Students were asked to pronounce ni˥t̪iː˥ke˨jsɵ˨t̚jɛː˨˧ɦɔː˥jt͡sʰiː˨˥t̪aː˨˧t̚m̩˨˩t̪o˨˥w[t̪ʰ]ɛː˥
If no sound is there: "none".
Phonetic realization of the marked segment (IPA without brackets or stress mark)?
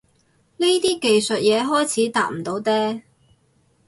t̪